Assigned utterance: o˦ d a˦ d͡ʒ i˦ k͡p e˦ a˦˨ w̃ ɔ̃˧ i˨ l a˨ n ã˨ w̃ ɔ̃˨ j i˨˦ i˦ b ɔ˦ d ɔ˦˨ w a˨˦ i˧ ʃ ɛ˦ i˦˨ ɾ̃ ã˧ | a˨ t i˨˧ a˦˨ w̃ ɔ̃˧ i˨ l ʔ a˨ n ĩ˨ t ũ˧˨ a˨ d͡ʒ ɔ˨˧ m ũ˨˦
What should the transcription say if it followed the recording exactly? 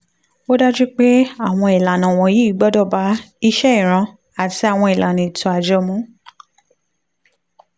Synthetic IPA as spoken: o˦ d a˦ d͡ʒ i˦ k͡p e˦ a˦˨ w̃ ɔ̃˧ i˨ l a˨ n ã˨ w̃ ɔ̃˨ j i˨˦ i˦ ɡ͡b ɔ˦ d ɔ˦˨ b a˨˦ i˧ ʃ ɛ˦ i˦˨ ɾ̃ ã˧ | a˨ t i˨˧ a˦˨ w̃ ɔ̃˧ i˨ l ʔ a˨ n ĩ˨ t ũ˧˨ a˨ d͡ʒ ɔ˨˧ m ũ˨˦